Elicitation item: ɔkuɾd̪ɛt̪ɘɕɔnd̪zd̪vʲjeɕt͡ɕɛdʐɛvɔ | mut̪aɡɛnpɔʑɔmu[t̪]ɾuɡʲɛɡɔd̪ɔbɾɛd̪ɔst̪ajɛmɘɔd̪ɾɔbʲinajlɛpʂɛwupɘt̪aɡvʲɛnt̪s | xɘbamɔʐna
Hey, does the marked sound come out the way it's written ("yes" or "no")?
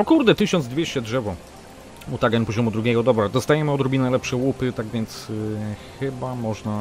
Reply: no